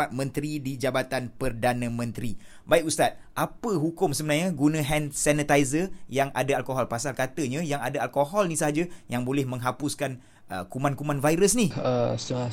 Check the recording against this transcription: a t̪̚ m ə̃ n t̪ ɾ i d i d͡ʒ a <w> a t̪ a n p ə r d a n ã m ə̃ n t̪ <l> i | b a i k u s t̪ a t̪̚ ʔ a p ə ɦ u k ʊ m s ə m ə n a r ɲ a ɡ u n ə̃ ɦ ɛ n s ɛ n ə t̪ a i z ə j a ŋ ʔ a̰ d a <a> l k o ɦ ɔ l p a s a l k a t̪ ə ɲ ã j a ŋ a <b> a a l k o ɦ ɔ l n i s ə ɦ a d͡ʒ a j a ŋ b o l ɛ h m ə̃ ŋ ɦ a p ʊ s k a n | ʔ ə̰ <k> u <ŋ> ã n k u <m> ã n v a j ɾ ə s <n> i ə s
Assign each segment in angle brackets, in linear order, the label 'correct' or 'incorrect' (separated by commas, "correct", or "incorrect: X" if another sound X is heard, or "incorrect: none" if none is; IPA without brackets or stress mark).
incorrect: b, incorrect: ɾ, correct, incorrect: d, correct, incorrect: m, correct, correct